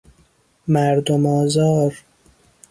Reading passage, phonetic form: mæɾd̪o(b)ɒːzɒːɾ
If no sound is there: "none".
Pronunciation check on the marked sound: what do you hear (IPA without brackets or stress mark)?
m